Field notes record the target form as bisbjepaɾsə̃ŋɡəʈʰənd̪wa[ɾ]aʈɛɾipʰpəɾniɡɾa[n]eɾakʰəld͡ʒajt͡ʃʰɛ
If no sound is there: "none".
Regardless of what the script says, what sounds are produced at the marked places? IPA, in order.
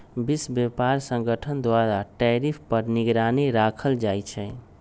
ɾ, n

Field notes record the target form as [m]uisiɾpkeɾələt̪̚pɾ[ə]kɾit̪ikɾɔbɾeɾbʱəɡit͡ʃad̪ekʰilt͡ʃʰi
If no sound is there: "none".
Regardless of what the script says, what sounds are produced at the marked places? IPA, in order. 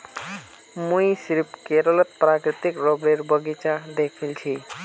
m, a

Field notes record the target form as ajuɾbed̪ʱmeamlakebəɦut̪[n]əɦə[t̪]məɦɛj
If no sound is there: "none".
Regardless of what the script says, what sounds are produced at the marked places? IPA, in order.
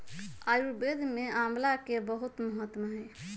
m, t̪

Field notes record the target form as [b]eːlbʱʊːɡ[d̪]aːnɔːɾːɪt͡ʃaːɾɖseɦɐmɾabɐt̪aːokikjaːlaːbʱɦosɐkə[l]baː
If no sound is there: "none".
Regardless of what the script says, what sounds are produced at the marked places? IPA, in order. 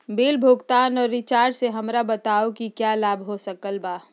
b, t̪, l

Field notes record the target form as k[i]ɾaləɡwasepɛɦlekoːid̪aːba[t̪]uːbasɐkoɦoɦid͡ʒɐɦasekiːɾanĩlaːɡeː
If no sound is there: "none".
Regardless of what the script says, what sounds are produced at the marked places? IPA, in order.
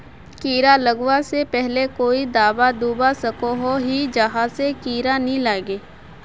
iː, d̪

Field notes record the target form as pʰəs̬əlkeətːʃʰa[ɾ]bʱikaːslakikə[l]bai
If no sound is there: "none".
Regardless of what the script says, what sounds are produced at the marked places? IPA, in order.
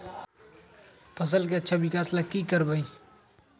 none, ɾ

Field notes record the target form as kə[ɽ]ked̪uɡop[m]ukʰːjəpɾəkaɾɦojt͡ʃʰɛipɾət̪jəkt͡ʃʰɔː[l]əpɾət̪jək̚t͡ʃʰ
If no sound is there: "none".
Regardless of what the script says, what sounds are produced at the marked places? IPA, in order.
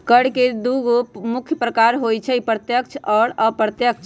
ɽ, m, ɾ

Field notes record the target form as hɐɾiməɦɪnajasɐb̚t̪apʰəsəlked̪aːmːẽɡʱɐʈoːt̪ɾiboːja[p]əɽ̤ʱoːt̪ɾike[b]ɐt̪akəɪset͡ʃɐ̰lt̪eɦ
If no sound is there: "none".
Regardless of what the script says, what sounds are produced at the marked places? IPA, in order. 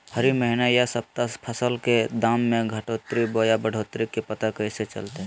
b, p

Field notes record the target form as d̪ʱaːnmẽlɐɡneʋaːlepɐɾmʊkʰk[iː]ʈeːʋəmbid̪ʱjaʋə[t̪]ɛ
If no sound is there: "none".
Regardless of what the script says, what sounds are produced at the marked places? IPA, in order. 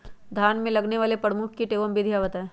i, t̪

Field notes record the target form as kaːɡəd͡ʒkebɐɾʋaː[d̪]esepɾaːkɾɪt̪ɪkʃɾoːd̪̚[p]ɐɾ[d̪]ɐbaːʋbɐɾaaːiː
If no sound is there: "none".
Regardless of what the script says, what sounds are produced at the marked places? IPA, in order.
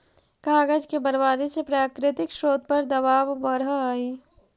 d̪, p, d̪

